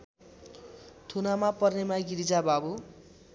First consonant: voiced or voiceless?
voiceless